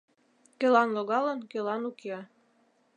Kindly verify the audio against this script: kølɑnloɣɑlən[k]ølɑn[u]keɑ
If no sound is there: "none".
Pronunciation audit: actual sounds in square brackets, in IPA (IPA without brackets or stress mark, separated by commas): k, u